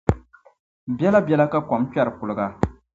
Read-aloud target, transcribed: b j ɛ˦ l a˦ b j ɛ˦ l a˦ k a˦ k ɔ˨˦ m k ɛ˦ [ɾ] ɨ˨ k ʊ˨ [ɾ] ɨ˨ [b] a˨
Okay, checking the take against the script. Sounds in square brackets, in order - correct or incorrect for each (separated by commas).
correct, incorrect, incorrect